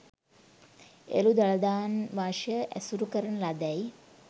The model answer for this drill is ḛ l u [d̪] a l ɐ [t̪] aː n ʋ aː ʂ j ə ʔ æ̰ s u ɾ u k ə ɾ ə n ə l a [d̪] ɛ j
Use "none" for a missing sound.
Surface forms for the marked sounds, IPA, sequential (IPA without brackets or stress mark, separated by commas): d̪, d̪, d̪